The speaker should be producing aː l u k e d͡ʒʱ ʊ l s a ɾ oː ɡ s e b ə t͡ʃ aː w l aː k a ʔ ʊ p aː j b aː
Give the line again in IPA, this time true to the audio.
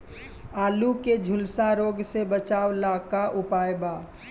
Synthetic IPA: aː l u k e d͡ʒʱ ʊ l s a ɾ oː ɡ s e b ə t͡ʃ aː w l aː k a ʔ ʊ p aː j b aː